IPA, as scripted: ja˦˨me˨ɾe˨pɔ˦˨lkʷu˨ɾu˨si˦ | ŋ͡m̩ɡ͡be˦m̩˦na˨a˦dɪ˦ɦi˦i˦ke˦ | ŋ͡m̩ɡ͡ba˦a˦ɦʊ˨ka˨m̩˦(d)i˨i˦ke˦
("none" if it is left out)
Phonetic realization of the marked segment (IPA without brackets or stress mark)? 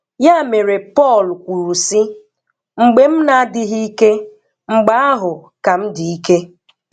d